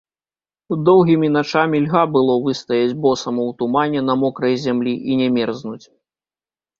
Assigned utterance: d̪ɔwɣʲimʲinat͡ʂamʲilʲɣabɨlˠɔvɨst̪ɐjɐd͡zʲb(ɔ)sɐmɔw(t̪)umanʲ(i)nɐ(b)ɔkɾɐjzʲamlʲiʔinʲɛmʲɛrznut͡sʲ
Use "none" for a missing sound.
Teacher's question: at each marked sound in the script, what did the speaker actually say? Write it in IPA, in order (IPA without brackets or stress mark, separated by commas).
ɔ, t̪, ɛ, m